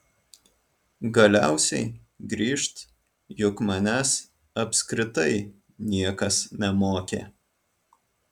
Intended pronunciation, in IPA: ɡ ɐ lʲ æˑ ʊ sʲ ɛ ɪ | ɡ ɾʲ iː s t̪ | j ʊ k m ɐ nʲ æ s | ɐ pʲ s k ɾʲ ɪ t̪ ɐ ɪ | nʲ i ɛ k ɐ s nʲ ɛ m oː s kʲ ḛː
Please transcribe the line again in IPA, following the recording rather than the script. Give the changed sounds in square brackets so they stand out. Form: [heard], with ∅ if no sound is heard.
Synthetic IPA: ɡ ɐ lʲ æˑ ʊ sʲ ɛ ɪ | ɡ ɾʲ iː [ʃ] t̪ | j ʊ k m ɐ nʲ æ s | ɐ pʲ s k ɾʲ ɪ t̪ ɐ ɪ | nʲ i ɛ k ɐ s nʲ ɛ m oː [∅] kʲ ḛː